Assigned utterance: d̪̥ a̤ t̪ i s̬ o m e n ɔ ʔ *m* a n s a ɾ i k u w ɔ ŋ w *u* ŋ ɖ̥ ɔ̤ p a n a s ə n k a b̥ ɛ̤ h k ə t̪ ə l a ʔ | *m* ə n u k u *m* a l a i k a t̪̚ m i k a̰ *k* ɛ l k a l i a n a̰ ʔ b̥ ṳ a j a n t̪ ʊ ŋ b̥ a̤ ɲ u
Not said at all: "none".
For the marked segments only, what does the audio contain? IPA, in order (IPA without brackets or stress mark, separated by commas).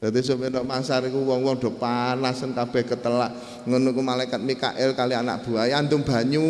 m, ɔ, ŋ, m, ʔ